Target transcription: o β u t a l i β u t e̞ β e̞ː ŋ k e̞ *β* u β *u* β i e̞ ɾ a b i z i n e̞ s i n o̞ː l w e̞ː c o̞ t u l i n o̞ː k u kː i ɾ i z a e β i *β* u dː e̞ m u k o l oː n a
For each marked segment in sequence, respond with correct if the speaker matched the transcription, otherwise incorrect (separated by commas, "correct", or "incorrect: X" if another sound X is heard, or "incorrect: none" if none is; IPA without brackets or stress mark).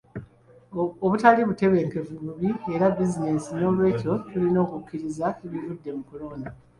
incorrect: v, correct, incorrect: v